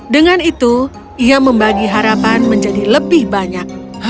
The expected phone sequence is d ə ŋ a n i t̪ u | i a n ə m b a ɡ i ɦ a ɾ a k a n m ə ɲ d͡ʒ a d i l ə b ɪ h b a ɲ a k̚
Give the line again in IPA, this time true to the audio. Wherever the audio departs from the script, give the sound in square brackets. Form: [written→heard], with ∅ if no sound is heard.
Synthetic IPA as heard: d ə ŋ a n i t̪ u | i a [n→m] ə m b a ɡ i ɦ a ɾ a [k→p] a n m ə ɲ d͡ʒ a d i l ə b ɪ h b a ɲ a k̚